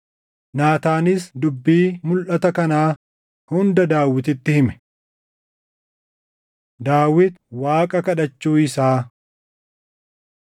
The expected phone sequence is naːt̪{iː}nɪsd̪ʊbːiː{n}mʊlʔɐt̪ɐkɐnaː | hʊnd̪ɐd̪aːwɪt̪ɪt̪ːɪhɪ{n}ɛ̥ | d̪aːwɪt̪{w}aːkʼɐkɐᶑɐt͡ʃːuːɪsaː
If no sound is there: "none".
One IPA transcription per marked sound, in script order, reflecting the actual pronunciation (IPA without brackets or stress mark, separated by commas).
aː, none, m, w